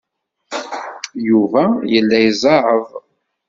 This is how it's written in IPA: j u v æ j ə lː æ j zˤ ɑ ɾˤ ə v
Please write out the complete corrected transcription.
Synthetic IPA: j u v æ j ə lː æ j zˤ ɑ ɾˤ ə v

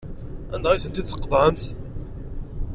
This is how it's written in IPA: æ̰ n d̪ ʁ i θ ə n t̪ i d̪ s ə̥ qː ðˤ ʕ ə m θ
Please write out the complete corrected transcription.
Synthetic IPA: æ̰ n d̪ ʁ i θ ə n t̪ i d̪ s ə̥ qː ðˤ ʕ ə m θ

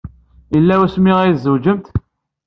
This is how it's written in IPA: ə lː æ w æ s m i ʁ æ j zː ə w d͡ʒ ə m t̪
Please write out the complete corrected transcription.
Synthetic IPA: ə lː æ w æ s m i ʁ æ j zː ə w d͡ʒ ə m t̪

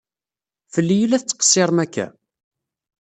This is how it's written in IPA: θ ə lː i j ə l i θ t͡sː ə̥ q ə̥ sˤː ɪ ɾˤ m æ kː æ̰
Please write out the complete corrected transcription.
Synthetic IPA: f ə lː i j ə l æ θ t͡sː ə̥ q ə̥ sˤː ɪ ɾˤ m æ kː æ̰

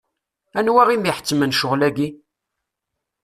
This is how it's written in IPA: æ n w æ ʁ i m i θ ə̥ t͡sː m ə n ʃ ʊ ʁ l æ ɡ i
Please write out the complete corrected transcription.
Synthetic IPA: æ n w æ ʁ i m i ħ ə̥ t͡sː m ə n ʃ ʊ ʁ l æ ɡ i

